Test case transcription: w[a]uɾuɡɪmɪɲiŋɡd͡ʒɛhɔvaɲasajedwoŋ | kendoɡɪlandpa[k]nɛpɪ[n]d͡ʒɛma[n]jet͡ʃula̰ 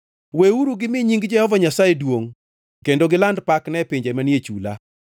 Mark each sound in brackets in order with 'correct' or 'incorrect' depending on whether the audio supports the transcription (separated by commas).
incorrect, correct, incorrect, correct